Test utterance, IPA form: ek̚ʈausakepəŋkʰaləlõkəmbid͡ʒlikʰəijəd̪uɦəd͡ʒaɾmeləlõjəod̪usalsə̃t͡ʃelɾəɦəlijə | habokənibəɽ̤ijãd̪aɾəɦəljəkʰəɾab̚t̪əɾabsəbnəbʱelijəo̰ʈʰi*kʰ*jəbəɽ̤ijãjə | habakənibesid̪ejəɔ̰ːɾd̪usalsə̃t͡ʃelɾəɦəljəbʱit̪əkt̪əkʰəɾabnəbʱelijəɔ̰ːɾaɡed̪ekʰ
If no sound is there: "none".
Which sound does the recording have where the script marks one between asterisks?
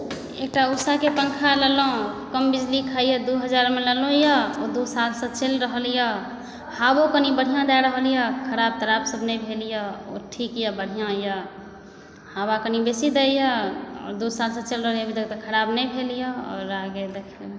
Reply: k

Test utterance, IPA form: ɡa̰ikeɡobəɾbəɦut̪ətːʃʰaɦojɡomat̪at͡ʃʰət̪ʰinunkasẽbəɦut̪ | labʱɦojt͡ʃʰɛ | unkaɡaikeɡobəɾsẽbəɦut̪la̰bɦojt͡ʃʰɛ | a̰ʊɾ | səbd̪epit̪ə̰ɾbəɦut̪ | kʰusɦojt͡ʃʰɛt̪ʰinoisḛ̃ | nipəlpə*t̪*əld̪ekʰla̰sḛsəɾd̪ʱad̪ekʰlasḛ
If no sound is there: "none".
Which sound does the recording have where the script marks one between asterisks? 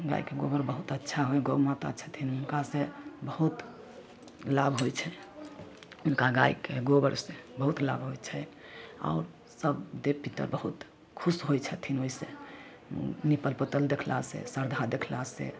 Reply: t̪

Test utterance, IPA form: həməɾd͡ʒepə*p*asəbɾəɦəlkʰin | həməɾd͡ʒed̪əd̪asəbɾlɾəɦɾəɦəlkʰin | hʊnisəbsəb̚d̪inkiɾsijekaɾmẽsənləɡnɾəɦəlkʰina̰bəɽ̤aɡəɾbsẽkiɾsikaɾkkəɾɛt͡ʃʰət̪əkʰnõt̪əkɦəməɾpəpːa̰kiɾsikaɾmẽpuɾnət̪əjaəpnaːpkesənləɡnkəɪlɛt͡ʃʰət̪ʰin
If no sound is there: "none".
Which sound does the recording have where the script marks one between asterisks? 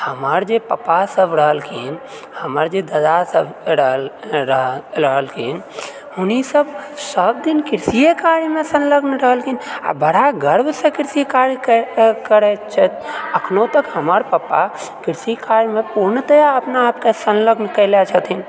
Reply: p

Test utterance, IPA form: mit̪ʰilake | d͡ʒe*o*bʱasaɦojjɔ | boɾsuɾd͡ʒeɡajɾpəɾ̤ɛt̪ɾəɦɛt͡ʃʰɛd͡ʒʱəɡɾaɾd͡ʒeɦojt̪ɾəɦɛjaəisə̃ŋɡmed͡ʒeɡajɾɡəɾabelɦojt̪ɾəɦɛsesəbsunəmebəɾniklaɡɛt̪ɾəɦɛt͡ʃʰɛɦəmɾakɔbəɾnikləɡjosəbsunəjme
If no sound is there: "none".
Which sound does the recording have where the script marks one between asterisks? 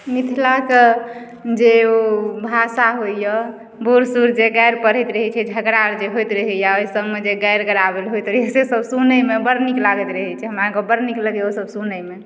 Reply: o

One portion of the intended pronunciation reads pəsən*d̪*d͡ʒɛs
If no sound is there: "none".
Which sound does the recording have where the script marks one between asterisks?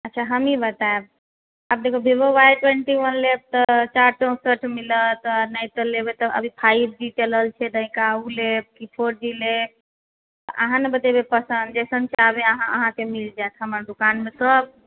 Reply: d̪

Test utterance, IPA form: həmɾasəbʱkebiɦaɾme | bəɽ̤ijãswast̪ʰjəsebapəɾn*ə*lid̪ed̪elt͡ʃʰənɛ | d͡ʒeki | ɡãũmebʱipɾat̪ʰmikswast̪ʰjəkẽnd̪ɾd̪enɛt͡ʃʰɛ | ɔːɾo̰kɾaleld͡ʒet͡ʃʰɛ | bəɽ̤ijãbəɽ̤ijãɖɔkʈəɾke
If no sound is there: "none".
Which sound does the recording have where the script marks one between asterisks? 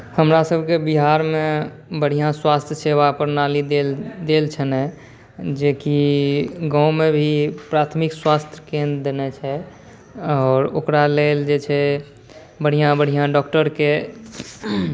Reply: a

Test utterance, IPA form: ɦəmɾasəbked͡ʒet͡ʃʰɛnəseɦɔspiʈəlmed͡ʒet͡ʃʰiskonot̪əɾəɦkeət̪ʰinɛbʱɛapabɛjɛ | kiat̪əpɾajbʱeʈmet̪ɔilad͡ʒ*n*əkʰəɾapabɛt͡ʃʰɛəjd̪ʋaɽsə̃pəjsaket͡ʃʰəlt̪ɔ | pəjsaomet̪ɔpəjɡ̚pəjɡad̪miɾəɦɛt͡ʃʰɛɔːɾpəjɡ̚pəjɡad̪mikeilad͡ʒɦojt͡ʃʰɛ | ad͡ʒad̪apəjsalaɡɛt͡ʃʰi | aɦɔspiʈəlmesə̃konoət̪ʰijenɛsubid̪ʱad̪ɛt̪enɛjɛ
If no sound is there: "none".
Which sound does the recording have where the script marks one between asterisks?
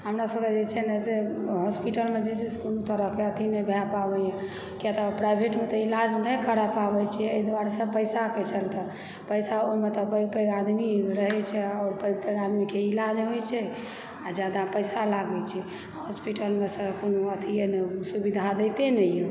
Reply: n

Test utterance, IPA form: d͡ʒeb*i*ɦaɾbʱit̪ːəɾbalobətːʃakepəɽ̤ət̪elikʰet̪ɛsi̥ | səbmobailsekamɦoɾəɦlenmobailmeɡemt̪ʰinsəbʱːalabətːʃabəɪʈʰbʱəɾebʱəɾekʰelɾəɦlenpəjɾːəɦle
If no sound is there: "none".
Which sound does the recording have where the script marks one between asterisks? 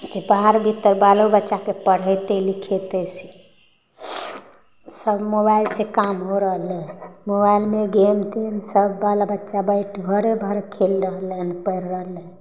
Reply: a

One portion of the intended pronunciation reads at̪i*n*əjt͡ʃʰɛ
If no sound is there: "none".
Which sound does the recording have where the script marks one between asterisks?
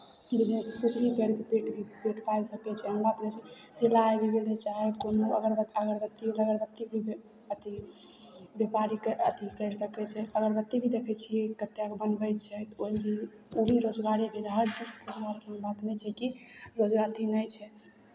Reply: n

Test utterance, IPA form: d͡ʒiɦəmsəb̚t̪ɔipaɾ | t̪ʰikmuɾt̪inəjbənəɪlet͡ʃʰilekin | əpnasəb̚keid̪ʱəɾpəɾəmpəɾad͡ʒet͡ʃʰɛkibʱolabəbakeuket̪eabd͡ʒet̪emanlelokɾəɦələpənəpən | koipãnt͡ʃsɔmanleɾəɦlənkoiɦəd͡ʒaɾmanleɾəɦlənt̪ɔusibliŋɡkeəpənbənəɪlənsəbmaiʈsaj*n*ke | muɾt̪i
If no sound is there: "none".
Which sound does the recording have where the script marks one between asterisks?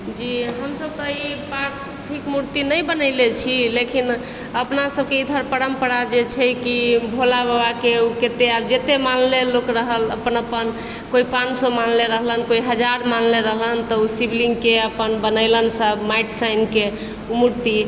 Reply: n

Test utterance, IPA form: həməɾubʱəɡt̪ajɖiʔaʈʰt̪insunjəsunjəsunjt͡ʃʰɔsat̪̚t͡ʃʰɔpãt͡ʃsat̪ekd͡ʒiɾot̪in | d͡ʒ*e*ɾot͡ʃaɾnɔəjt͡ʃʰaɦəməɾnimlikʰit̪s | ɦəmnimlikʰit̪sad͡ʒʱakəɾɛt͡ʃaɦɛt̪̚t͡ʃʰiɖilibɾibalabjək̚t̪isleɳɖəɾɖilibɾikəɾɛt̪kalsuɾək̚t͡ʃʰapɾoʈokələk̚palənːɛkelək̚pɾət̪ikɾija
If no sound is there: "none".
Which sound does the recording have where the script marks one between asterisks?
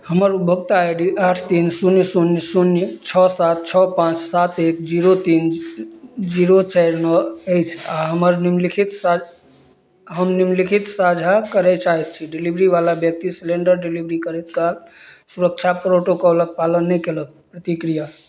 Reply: i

